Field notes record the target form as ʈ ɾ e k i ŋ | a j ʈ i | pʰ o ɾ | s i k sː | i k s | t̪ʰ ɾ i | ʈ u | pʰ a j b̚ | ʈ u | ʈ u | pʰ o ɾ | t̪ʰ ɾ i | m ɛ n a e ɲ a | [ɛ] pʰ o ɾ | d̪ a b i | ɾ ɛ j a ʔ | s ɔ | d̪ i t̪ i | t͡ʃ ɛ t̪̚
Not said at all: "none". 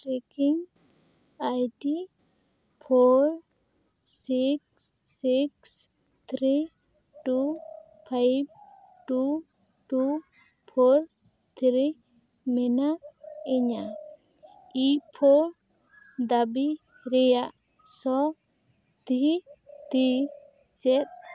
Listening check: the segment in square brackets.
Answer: i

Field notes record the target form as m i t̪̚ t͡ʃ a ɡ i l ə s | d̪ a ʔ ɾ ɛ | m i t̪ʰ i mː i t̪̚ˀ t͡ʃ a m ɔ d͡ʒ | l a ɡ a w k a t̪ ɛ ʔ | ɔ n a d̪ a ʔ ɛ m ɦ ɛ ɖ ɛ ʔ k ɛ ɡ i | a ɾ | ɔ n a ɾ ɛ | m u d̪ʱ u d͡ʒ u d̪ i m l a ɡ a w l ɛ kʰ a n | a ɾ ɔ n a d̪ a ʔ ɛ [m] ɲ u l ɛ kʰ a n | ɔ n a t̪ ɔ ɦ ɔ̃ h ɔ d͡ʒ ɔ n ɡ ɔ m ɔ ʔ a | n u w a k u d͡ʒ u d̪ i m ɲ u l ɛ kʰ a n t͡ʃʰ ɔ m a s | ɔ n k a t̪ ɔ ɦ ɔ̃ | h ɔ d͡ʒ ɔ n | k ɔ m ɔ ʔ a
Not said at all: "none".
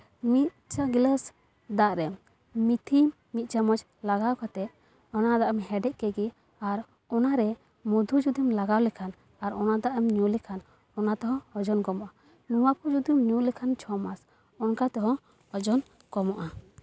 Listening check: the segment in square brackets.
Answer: m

